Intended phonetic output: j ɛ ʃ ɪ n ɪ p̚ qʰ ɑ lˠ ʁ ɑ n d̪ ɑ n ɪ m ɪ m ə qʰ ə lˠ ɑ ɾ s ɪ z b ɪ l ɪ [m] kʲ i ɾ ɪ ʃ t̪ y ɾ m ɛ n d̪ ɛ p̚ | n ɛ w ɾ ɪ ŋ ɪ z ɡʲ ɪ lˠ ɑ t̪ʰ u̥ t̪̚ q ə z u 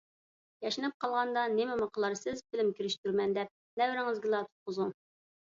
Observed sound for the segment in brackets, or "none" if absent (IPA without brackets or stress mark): m